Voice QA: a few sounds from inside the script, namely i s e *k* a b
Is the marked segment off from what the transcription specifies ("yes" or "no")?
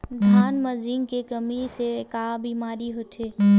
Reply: no